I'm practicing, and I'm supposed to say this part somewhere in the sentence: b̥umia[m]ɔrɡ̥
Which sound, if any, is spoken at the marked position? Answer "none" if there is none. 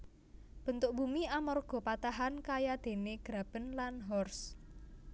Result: m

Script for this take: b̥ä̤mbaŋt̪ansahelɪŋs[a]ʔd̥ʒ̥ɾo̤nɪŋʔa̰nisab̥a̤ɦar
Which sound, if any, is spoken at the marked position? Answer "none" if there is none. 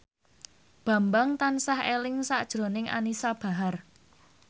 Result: a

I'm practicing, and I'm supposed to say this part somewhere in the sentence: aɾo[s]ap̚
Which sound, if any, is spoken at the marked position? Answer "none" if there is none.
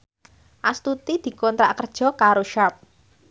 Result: ʃ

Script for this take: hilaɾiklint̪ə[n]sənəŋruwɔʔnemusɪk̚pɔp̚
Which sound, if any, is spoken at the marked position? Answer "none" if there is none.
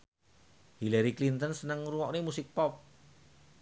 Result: n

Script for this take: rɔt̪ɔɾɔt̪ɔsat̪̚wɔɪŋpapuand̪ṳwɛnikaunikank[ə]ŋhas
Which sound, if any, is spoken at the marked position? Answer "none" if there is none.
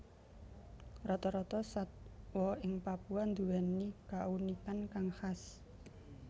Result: a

